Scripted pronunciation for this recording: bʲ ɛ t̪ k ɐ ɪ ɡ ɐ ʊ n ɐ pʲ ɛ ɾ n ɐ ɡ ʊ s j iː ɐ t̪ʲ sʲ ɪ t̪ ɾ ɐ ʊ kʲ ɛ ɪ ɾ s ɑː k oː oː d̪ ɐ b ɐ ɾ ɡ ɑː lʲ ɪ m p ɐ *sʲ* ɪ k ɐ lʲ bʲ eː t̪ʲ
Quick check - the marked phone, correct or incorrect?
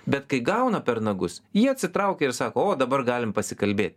correct